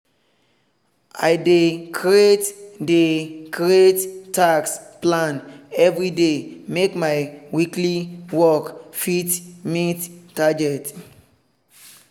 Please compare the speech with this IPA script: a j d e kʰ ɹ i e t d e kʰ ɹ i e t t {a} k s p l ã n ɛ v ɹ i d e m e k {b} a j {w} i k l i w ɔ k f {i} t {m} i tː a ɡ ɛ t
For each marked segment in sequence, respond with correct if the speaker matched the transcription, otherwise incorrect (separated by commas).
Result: correct, incorrect, correct, correct, correct